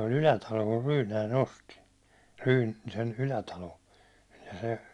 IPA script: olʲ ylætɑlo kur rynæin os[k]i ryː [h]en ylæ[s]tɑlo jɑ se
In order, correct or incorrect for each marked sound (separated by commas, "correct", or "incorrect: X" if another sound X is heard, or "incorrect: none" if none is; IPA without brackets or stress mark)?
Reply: incorrect: t, incorrect: s, incorrect: none